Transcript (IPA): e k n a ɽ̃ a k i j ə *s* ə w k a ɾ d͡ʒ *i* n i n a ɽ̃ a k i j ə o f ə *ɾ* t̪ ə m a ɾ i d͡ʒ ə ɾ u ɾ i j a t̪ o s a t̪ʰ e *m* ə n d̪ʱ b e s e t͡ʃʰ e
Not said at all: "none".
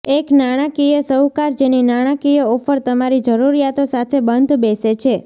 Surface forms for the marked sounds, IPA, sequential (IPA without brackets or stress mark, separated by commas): s, e, ɾ, b